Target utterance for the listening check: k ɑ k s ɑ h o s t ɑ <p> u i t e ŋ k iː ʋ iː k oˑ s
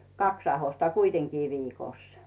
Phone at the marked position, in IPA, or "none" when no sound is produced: k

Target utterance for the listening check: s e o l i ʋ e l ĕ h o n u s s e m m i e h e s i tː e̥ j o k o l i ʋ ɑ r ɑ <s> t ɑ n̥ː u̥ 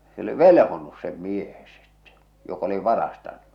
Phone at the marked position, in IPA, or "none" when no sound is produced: s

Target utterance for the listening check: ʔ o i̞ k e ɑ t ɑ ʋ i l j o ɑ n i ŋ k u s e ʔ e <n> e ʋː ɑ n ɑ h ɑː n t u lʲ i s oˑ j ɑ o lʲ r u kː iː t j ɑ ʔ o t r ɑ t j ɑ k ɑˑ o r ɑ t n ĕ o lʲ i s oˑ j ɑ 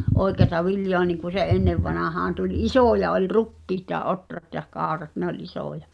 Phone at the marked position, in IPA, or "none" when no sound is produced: nː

